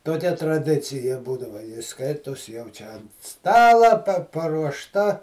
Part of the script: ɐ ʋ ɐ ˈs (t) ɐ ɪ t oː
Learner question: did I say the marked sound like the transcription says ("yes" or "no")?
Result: no